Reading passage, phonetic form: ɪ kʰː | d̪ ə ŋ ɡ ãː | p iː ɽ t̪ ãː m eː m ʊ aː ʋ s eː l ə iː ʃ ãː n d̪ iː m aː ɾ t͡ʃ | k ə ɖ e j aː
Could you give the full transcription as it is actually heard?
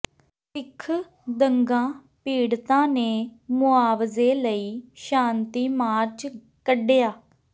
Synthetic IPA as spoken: ɪ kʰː | d̪ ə ŋ ɡ ãː | p iː ɽ t̪ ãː n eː m ʊ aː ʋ z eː l ə iː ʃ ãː n t̪ iː m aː ɾ t͡ʃ | k ə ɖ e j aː